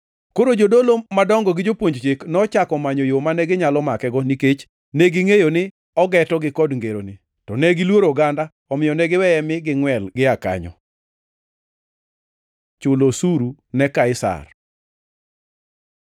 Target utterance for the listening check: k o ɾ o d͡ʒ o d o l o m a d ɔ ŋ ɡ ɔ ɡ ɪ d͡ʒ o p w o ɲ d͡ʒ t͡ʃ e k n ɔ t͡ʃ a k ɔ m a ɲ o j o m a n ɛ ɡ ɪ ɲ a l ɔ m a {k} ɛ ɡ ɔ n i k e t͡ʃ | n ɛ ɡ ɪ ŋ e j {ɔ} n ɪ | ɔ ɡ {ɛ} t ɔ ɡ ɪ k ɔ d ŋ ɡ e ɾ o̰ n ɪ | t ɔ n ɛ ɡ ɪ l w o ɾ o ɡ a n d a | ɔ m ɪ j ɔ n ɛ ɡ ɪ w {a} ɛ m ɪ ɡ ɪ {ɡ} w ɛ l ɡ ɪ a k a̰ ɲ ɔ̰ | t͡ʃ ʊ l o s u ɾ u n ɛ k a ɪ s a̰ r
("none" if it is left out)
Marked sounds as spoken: k, o, ɛ, ɛ, ŋ

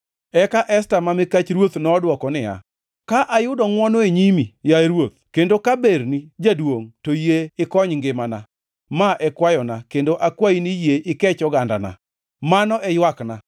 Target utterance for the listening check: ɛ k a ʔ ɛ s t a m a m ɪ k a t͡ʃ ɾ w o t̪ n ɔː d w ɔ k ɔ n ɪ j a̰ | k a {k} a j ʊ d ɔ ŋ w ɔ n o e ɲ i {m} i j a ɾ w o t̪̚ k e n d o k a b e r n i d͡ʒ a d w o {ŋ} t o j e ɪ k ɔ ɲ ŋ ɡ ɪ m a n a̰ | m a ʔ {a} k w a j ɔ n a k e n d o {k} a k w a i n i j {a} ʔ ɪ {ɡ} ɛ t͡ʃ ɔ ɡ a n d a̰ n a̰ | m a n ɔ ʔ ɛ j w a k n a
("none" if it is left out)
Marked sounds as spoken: ʔ, m, ŋ, ɛ, ʔ, e, k

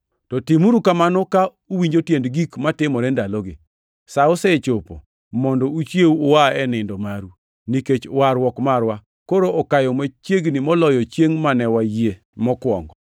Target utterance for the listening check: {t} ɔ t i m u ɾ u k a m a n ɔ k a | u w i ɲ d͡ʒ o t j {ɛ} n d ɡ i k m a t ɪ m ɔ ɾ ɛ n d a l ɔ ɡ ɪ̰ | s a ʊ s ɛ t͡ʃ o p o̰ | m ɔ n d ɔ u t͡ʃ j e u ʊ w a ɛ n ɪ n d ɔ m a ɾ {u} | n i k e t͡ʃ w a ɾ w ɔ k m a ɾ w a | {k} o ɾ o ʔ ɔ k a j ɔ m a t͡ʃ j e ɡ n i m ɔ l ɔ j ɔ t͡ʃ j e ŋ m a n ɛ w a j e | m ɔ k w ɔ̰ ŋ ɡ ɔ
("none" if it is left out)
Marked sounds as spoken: t, e, u, k

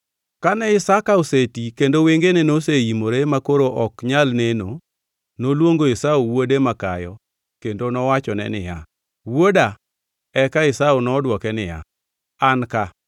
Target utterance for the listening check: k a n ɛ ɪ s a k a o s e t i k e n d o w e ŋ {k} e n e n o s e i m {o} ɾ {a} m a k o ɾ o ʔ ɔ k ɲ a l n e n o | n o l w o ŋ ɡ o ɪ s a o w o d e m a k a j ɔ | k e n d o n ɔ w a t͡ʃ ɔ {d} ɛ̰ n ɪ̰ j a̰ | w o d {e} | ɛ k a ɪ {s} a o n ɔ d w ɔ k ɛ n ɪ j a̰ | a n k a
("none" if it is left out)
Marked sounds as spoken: ɡ, o, e, n, a, s

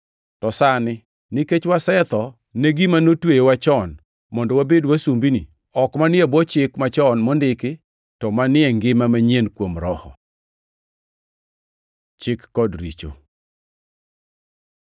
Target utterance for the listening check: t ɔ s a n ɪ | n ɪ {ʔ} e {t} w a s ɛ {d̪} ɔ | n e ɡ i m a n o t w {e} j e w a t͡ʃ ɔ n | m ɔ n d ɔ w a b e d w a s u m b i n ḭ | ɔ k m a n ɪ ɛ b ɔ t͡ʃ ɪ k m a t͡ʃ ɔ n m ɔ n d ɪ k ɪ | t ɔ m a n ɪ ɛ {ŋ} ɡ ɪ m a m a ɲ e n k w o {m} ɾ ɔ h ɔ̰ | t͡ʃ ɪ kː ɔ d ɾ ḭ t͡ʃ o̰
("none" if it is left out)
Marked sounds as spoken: k, t͡ʃ, t̪, e, ŋ, m

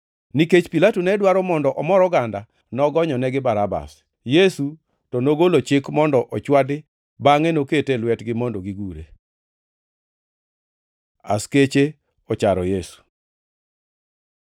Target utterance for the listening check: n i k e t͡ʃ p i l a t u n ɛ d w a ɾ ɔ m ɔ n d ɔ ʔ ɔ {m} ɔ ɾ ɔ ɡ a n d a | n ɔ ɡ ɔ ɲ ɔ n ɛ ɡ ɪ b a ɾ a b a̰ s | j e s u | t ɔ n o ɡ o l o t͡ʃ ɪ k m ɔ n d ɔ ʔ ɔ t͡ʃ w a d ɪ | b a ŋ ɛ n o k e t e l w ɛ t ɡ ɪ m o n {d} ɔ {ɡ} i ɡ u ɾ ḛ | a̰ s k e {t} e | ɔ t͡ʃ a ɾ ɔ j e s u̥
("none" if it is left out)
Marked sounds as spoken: m, d, ɡ, t͡ʃ

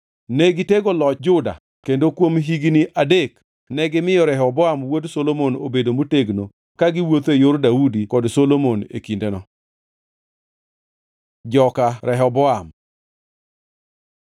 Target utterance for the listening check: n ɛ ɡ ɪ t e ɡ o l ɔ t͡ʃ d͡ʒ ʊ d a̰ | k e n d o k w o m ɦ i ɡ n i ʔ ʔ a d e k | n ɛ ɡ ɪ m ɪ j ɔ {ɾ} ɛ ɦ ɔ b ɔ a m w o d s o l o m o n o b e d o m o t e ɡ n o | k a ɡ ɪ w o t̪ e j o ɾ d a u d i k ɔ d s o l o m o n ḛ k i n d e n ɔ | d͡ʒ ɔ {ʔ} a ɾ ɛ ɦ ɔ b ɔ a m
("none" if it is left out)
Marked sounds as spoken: ɾ, k

